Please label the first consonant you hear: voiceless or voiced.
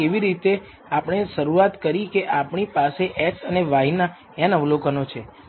voiced